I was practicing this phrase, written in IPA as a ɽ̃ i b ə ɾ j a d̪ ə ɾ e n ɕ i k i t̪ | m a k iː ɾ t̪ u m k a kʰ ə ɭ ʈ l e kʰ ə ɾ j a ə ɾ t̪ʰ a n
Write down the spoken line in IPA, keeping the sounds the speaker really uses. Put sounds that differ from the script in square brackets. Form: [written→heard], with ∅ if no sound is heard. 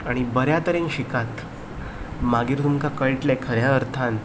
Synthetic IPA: a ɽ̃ i b ə ɾ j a [d̪→t̪] ə ɾ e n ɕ i k [i→a] t̪ | m a [k→ɡ] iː ɾ t̪ u m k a [kʰ→k] ə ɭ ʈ l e kʰ ə ɾ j a ə ɾ t̪ʰ a n